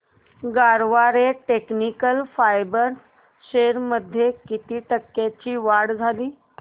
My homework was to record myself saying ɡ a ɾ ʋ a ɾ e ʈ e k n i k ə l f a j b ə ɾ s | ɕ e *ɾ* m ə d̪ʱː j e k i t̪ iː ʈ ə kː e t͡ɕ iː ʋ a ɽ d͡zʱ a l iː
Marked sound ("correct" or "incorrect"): correct